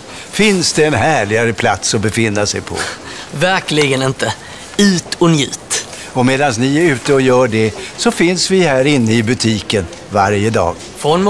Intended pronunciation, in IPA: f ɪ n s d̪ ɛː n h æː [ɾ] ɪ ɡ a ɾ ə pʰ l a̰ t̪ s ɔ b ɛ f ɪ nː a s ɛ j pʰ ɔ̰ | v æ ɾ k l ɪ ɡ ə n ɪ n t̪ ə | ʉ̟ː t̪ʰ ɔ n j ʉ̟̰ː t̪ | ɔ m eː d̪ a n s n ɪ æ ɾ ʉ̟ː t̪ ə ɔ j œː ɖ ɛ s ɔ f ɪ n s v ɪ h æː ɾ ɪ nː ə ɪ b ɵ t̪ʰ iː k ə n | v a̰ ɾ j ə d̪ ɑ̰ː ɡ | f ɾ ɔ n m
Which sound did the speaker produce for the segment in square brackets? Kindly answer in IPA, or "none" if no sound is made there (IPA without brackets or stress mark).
ɭ